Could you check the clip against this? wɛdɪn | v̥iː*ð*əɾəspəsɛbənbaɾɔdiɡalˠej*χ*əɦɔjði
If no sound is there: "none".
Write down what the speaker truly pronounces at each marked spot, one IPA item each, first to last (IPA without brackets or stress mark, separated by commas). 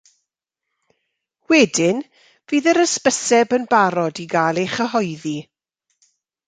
ð, χ